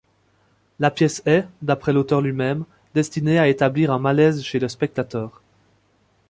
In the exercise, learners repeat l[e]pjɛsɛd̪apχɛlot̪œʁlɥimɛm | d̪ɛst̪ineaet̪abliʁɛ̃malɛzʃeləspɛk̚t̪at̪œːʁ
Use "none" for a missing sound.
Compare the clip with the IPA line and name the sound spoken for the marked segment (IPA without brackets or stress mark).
a